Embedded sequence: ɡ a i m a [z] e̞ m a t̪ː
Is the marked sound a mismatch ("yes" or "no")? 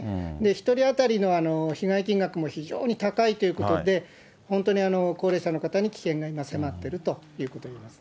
yes